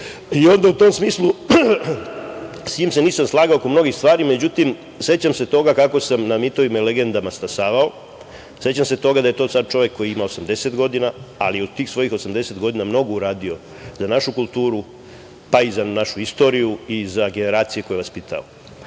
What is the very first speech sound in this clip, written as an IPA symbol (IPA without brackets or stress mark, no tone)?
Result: i